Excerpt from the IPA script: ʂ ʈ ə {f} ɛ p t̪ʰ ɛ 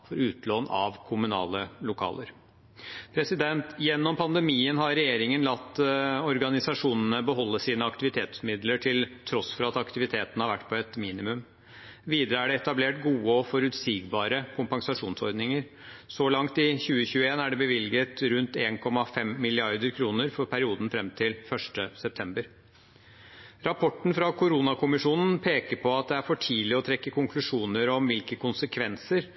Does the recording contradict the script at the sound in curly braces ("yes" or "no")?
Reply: yes